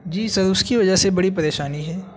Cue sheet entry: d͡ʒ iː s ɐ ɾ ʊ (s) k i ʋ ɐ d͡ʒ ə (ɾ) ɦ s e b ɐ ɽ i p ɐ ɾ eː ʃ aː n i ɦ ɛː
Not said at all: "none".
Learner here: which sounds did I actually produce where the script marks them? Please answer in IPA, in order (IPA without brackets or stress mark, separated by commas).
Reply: s, none